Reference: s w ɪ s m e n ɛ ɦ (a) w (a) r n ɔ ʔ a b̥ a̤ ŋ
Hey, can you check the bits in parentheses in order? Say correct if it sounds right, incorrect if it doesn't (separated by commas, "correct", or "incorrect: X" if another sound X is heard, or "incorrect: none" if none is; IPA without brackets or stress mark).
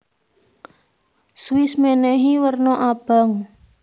incorrect: i, incorrect: ə